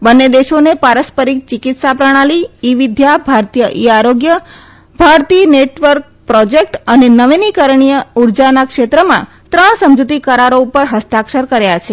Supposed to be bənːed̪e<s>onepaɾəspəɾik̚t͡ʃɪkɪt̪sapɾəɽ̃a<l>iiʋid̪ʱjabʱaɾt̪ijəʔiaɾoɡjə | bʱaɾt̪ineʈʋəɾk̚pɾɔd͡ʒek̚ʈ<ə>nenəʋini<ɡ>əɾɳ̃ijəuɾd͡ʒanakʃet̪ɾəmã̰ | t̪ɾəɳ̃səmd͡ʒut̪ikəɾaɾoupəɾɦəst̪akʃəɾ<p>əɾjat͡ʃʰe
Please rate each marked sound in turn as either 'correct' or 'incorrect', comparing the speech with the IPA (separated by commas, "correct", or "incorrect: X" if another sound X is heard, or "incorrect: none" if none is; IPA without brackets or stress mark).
incorrect: ʃ, correct, correct, incorrect: k, incorrect: k